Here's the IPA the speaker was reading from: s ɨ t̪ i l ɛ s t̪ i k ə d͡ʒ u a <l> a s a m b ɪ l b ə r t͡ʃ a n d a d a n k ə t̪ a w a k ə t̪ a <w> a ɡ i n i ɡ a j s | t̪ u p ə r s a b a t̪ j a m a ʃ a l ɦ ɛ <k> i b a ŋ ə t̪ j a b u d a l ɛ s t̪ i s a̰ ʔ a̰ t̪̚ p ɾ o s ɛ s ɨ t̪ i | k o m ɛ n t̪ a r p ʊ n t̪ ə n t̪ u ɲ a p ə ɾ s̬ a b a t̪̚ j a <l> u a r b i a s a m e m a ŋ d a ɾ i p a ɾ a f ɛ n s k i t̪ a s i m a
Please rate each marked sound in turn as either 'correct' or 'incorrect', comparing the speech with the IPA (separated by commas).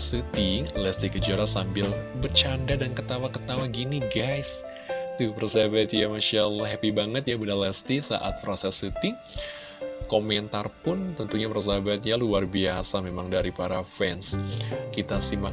incorrect, correct, incorrect, correct